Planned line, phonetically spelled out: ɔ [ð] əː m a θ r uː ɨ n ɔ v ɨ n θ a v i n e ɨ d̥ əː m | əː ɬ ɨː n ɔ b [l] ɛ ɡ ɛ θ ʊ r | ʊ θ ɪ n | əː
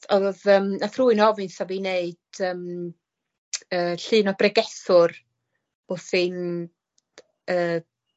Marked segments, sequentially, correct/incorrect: correct, incorrect: r

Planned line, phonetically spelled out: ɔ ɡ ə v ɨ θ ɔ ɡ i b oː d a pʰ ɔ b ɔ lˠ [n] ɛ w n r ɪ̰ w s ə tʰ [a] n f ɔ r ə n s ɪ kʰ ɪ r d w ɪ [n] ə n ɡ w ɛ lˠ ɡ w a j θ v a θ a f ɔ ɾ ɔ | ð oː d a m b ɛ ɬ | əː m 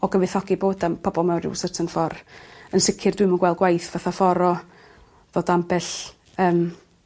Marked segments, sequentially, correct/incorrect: incorrect: m, incorrect: ə, incorrect: m

